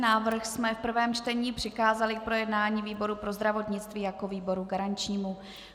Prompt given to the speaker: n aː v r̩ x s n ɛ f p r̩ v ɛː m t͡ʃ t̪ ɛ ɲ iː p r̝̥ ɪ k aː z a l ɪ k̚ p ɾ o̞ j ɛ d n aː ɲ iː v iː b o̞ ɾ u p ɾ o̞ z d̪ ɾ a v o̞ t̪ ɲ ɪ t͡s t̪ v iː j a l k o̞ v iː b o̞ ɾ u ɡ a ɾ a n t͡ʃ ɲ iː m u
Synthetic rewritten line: n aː v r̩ x s m ɛ f p r̩ v ɛː m t͡ʃ t̪ ɛ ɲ iː p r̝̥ ɪ k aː z a l ɪ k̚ p ɾ o̞ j ɛ d n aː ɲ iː v iː b o̞ ɾ u p ɾ o̞ z d̪ ɾ a v o̞ t̪ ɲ ɪ t͡s t̪ v iː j a k o̞ v iː b o̞ ɾ u ɡ a ɾ a n t͡ʃ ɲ iː m u